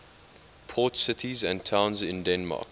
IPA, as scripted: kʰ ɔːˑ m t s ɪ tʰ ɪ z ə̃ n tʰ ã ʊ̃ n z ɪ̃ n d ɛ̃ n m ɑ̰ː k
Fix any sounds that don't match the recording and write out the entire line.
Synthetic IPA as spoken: pʰ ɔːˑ t s ɪ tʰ i z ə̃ n tʰ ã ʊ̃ n z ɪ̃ n d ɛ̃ n m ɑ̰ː k